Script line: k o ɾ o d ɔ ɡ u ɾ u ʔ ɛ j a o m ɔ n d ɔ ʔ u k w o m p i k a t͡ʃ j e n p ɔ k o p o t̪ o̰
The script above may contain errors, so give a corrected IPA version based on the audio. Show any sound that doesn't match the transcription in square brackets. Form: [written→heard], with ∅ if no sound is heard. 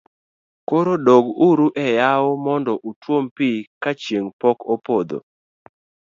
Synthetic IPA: k o ɾ o d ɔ ɡ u ɾ u ʔ ɛ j a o m ɔ n d ɔ ʔ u [k→t] w o m p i k a t͡ʃ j e [n→ŋ] p ɔ k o p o [t̪→d̪] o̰